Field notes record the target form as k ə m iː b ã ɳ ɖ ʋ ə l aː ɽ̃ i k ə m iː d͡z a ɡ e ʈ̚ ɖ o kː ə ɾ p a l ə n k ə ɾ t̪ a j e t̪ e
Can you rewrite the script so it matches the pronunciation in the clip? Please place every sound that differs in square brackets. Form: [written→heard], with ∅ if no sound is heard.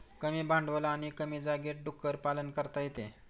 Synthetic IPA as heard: k ə m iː b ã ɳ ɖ ʋ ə l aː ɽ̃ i k ə m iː d͡z a ɡ e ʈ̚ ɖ [o→u] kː ə ɾ p a l ə n k ə ɾ t̪ a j e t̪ e